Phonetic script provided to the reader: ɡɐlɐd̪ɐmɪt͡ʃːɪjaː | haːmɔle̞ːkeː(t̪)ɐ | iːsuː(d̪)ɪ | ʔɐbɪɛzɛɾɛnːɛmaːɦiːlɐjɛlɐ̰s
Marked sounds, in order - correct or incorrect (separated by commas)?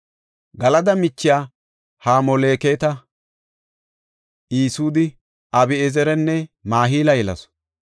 correct, correct